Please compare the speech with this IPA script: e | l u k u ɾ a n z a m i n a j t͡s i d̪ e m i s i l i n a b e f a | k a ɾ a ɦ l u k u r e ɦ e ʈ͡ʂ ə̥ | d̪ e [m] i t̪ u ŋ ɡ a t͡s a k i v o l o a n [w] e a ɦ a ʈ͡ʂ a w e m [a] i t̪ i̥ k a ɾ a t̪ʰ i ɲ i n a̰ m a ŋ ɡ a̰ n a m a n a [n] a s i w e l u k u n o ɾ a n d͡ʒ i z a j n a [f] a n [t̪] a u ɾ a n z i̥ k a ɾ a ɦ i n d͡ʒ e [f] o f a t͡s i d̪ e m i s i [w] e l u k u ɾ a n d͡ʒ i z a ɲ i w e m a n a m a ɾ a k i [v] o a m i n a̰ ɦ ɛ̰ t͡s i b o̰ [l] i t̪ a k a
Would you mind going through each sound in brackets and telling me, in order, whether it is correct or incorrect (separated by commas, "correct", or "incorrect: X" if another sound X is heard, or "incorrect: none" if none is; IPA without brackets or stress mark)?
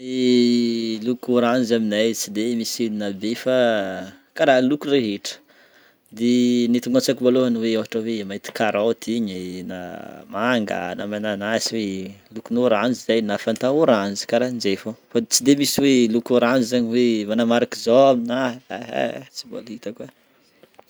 incorrect: n, correct, correct, correct, correct, correct, correct, correct, incorrect: z, correct